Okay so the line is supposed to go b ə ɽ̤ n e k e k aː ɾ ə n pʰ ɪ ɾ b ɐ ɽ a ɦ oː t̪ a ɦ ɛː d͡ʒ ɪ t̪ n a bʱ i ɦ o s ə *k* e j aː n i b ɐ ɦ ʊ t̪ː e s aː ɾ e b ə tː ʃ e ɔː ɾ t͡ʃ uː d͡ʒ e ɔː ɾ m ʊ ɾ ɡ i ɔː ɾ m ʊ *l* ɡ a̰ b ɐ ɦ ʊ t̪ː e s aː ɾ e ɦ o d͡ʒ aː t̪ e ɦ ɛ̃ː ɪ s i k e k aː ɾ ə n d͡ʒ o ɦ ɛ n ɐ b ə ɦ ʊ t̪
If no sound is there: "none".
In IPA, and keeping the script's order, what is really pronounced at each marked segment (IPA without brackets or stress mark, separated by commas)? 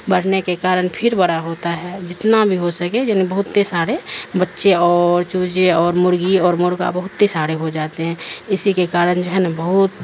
k, ɾ